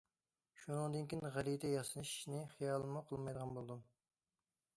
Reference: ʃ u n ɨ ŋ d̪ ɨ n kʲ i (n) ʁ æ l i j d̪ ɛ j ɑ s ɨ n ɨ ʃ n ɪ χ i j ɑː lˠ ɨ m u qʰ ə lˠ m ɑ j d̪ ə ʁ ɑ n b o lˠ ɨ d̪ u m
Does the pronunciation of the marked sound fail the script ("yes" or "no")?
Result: no